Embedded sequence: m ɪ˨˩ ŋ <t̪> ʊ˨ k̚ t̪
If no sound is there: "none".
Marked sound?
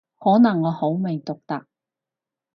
t̪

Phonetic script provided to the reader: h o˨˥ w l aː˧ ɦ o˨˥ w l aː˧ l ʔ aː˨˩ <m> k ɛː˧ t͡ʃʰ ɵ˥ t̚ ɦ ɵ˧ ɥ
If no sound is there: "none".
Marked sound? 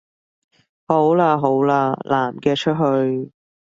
m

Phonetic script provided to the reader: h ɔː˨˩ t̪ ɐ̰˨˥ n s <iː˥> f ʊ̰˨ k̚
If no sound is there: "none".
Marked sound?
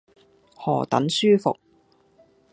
yː˥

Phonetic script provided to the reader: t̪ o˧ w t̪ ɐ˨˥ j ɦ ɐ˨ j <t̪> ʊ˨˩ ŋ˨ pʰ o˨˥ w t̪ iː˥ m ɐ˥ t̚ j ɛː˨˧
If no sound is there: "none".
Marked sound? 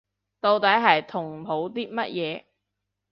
t̪ʰ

